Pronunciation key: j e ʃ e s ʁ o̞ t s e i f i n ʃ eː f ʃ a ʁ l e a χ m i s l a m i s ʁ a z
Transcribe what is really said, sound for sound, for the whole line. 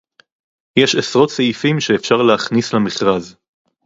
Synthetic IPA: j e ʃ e s ʁ o̞ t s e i f i m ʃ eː f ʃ a ʁ l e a χ n i s l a m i χ ʁ a z